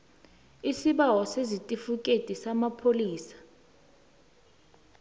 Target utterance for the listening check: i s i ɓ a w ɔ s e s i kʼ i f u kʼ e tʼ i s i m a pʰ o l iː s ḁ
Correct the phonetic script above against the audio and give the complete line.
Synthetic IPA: i s i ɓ a w ɔ s e z i tʼ i f u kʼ e tʼ i s a m a pʰ o l iː s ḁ